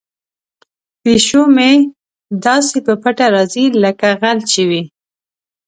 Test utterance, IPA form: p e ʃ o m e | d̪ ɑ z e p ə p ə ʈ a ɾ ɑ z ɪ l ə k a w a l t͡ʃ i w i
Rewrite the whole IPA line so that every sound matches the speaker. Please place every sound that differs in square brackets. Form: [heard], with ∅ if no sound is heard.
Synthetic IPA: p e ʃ o m e | d̪ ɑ [s] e p ə p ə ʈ a ɾ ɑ z [i] l ə k a [ɣ] a l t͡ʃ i w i